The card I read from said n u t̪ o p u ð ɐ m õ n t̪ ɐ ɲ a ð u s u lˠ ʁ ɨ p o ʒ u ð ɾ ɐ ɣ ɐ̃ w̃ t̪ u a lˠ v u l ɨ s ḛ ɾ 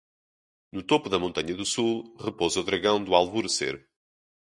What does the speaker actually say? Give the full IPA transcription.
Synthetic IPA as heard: n u t̪ o p u ð ɐ m õ n t̪ ɐ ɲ ɐ ð u s u lˠ ʁ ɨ p o z u ð ɾ ɐ ɣ ɐ̃ w̃ d̪ u a lˠ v u ɾ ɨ s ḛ ɾ